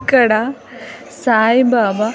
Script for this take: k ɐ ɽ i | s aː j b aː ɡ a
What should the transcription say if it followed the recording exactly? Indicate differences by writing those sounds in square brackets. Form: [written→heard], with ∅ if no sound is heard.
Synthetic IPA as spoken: k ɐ ɽ [i→a] | s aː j b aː [ɡ→b] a